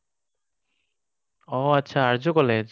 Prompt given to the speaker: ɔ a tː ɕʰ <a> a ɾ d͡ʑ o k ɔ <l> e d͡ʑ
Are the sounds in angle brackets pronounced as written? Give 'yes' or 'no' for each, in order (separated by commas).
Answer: yes, yes